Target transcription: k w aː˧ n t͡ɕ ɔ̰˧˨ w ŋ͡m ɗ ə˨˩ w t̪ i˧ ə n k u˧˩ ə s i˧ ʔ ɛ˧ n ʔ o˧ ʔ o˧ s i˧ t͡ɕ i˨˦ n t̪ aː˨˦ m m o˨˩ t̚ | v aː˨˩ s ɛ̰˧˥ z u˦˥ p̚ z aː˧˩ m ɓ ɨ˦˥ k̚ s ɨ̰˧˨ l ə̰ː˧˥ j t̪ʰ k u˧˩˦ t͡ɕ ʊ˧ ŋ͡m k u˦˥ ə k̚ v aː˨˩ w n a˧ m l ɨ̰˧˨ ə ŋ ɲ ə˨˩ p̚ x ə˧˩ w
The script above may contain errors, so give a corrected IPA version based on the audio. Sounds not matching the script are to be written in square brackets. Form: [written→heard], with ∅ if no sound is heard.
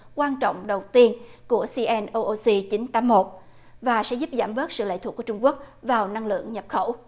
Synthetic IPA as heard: k w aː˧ n t͡ɕ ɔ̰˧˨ w ŋ͡m ɗ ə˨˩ w t̪ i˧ ə n k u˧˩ ə s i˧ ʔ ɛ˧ n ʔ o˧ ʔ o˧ s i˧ t͡ɕ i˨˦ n t̪ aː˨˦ m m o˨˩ t̚ | v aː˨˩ s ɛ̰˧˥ z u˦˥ p̚ z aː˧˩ m ɓ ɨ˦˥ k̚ s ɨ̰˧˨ l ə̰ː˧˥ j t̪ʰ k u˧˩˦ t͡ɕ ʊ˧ ŋ͡m k u˦˥ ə k̚ v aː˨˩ w n a˧ [m→ŋ] l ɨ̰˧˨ ə ŋ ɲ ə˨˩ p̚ x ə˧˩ w